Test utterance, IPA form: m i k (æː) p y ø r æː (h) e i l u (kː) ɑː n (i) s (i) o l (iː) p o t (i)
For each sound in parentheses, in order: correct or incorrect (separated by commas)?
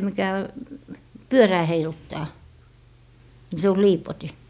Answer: incorrect, correct, incorrect, correct, incorrect, correct, correct